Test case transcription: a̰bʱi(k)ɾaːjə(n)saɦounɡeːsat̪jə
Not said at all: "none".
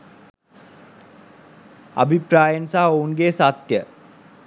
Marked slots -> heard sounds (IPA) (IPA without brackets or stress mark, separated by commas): p, n